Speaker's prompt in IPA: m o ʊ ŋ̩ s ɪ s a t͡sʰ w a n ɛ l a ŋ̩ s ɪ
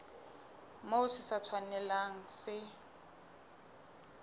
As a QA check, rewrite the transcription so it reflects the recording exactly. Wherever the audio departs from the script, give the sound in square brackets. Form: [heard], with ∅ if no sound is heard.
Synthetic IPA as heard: m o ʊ [∅] s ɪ s a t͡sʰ w a n ɛ l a ŋ̩ s ɪ